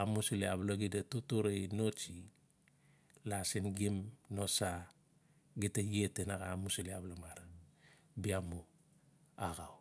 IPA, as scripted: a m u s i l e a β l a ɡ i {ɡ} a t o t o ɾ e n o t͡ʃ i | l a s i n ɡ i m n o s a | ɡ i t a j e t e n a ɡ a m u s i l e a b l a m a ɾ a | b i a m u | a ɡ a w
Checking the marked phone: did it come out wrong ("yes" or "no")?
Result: yes